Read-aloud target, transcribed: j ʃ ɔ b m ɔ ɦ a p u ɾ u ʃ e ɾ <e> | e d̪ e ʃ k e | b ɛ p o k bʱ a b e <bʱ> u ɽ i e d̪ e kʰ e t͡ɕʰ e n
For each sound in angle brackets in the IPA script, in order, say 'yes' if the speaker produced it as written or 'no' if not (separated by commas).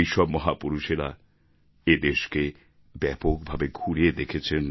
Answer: no, no